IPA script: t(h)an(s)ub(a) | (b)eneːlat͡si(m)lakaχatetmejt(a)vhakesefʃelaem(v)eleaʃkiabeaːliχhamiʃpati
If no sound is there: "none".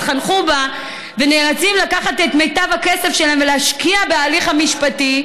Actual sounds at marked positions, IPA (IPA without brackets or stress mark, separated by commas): χ, χ, a, v, m, a, v